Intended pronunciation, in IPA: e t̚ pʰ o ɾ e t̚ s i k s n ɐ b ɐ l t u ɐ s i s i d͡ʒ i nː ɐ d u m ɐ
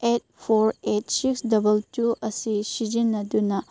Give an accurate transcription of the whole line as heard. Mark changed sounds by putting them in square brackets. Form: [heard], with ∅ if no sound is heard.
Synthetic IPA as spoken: e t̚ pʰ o ɾ e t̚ s i k s [d] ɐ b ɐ l t u ɐ s i s i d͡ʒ i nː ɐ d u [n] ɐ